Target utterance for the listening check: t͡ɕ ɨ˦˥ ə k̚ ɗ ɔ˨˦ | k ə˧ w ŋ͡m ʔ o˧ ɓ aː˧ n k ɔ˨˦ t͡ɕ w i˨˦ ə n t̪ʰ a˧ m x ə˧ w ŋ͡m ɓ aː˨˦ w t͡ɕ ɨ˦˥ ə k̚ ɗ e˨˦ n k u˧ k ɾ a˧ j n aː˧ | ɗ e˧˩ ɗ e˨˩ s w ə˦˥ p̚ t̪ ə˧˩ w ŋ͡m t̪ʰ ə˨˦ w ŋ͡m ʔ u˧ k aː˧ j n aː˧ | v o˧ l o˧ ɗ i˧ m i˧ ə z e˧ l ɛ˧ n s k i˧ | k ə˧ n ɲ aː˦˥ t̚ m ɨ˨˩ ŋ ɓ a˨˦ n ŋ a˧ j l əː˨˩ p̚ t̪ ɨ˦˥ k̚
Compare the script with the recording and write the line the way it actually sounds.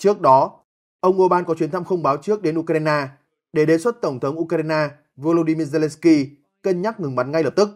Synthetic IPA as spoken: t͡ɕ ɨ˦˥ ə k̚ ɗ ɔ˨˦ | ʔ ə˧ w ŋ͡m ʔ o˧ ɓ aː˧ n k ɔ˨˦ t͡ɕ w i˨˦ ə n t̪ʰ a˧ m x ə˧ w ŋ͡m ɓ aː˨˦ w t͡ɕ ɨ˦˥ ə k̚ ɗ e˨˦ n ʔ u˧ k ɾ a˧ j n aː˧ | ɗ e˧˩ ɗ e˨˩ s w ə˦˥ t̚ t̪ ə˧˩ w ŋ͡m t̪ʰ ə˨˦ w ŋ͡m ʔ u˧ k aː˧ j n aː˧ | v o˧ l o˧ ɗ i˧ m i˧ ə z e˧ l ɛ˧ n s k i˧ | k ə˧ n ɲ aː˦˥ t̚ ŋ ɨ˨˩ ŋ ɓ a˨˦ n ŋ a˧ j l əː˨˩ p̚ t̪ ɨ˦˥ k̚

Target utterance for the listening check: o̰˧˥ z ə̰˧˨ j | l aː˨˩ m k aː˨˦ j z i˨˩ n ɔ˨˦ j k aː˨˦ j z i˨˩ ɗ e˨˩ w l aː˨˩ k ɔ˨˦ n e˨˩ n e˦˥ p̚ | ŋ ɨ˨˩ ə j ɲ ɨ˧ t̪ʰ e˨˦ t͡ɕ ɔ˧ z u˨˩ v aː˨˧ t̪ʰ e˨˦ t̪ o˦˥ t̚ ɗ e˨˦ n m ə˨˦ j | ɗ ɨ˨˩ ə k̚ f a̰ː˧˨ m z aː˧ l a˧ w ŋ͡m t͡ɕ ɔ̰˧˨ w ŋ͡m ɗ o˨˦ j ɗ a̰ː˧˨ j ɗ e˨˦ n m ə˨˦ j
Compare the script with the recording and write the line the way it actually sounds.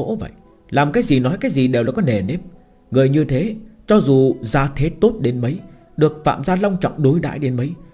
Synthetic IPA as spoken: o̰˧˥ v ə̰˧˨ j | l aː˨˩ m k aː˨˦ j z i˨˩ n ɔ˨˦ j k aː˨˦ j z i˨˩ ɗ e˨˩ w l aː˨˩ k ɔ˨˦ n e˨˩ n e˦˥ p̚ | ŋ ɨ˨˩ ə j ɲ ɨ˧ t̪ʰ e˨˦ t͡ɕ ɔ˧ z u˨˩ z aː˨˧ t̪ʰ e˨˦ t̪ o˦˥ t̚ ɗ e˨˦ n m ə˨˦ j | ɗ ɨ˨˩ ə k̚ f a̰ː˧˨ m z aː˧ l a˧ w ŋ͡m t͡ɕ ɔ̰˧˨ w ŋ͡m ɗ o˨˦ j ɗ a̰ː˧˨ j ɗ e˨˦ n m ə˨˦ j

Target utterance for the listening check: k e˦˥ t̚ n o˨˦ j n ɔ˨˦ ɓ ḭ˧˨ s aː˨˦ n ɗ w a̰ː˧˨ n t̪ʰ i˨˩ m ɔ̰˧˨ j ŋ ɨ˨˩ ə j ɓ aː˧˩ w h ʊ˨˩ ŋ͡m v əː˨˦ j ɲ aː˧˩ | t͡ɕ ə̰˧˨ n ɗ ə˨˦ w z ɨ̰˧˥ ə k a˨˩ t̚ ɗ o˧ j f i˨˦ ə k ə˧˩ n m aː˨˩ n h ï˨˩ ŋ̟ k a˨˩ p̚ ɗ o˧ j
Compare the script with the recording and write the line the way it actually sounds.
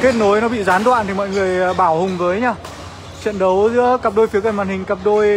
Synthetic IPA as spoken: k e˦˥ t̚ n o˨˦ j n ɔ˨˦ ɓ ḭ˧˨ z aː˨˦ n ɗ w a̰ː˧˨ n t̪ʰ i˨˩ m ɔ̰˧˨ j ŋ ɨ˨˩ ə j ɓ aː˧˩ w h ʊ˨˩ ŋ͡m v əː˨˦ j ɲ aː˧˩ | t͡ɕ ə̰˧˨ n ɗ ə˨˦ w z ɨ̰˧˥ ə k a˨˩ p̚ ɗ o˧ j f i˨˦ ə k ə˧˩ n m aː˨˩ n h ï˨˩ ŋ̟ k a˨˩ p̚ ɗ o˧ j

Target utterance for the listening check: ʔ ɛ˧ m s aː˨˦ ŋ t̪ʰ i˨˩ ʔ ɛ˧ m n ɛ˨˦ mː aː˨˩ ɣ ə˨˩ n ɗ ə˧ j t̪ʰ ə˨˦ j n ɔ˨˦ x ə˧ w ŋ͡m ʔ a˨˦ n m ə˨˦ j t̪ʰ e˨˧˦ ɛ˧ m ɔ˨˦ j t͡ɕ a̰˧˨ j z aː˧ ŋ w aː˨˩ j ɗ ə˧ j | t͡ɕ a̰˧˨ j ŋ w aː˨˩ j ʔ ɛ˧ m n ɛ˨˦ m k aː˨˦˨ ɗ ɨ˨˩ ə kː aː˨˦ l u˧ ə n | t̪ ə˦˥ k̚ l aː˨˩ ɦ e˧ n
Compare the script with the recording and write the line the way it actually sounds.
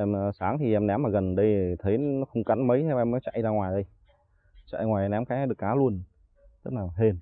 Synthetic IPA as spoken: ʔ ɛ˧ m s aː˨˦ ŋ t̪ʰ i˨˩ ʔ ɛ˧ m n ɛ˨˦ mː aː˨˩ ɣ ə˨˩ n ɗ ə˧ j t̪ʰ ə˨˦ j n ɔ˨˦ x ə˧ w ŋ͡m k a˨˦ n m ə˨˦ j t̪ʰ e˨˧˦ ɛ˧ m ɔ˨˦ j t͡ɕ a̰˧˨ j z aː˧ ŋ w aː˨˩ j ɗ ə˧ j | t͡ɕ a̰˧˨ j ŋ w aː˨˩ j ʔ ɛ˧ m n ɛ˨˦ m k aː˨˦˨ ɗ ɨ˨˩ ə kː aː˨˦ l u˧ ə n | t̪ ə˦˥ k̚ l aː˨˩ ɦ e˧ n

